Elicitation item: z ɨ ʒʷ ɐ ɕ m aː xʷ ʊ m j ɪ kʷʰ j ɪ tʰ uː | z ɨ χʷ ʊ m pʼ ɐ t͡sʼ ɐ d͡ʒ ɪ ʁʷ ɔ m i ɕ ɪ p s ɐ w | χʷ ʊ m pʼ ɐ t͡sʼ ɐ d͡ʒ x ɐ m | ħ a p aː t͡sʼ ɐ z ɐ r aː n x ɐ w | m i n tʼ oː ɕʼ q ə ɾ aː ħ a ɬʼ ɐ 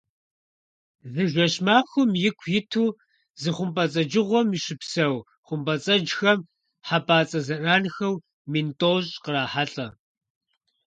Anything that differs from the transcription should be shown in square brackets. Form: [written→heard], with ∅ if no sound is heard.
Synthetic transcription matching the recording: z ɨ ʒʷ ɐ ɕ m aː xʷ ʊ m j ɪ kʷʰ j ɪ tʰ uː | z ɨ χʷ ʊ m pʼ ɐ t͡sʼ ɐ d͡ʒ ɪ ʁʷ ɔ m i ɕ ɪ p s ɐ w | χʷ ʊ m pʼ ɐ t͡sʼ ɐ d͡ʒ x ɐ m | ħ a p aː t͡sʼ ɐ z ɐ r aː n x ɐ w | m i n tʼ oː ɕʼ q ə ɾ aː ħ a ɬʼ ɐ